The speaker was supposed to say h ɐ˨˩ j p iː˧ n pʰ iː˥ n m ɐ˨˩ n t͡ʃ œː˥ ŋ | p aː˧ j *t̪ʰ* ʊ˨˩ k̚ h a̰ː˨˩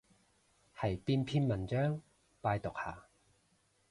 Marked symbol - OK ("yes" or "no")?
no